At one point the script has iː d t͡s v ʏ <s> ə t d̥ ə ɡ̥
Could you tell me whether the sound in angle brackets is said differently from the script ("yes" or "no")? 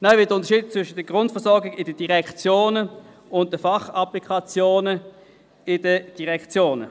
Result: yes